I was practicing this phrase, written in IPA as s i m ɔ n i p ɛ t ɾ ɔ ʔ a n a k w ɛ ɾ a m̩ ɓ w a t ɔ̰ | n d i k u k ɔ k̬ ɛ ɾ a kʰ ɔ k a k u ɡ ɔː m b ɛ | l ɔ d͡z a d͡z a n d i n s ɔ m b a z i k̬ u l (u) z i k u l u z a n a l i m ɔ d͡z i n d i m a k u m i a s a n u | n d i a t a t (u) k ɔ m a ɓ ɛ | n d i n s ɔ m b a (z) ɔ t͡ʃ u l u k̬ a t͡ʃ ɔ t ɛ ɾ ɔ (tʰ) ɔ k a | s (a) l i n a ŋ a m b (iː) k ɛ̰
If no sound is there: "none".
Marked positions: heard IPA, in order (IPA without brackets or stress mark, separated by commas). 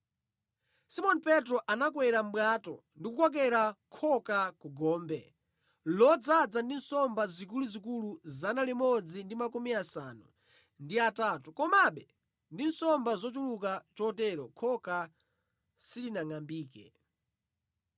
u, u, z, kʰ, i, iː